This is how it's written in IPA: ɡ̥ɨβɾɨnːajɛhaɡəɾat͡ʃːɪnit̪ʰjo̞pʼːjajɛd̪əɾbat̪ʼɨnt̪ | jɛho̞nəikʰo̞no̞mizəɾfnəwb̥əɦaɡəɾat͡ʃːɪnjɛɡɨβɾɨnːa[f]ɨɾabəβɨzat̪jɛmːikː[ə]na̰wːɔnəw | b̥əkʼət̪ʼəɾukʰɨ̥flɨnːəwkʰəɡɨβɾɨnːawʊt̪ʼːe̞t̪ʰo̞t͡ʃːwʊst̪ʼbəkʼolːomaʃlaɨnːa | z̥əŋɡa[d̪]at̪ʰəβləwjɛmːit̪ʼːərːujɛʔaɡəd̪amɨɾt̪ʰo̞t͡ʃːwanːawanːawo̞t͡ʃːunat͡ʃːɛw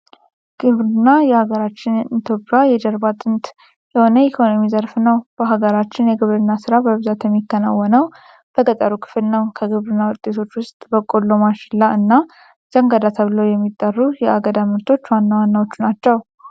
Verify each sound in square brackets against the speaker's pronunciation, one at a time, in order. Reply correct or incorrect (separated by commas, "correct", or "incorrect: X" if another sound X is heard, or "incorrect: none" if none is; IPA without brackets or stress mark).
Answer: incorrect: s, correct, correct